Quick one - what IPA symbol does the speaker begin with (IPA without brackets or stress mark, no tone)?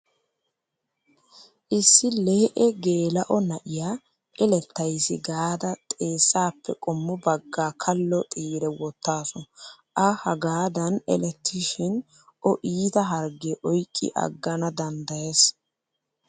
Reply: ʔ